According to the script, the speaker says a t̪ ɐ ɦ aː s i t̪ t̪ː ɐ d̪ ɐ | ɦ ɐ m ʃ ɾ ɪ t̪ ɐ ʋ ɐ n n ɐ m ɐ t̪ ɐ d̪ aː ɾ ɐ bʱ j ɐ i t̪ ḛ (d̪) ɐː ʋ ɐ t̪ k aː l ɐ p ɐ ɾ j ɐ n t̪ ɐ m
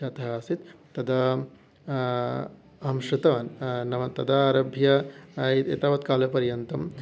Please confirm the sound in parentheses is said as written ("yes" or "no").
no